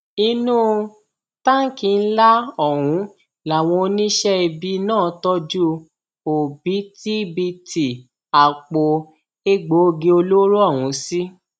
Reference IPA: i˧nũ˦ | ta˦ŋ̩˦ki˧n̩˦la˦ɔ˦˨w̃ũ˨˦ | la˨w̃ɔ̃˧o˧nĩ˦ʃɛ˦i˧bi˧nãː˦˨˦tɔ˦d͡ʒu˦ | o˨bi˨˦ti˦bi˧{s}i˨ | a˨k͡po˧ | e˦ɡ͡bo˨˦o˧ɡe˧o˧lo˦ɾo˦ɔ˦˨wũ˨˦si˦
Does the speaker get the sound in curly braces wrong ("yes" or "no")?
yes